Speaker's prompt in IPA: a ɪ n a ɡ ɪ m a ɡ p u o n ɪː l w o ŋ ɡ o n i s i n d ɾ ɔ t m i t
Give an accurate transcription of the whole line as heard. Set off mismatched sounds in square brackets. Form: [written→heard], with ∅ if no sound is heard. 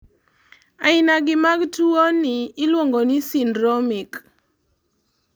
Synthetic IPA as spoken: a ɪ n a ɡ ɪ m a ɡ [p→t] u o n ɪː l w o ŋ ɡ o n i s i n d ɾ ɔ [t→∅] m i [t→k]